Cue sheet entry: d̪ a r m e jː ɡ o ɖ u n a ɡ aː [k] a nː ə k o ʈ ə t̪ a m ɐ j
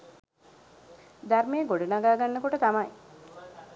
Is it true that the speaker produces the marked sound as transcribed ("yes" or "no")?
no